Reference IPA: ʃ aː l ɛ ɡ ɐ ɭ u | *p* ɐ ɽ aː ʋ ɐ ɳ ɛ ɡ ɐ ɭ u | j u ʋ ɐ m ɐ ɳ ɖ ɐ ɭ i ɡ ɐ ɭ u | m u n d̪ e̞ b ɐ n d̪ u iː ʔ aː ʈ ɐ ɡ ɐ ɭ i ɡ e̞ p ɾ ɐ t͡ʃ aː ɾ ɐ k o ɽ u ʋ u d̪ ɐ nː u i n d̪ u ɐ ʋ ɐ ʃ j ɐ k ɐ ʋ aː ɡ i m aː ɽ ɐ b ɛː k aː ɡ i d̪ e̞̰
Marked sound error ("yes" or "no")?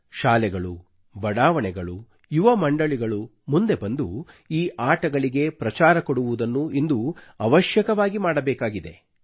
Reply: yes